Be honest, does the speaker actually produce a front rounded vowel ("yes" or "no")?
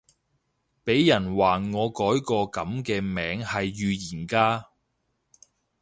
yes